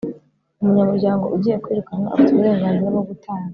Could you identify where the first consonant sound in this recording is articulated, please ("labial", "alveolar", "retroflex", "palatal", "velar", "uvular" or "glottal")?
labial